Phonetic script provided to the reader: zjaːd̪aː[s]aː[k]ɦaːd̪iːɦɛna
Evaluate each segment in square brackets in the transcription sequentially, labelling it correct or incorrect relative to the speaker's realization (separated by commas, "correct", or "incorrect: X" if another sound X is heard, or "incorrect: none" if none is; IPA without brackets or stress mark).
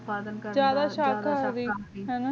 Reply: incorrect: ʃ, correct